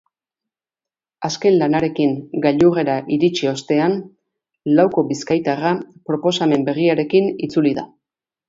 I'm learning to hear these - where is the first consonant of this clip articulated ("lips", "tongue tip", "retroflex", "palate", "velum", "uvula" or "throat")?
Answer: tongue tip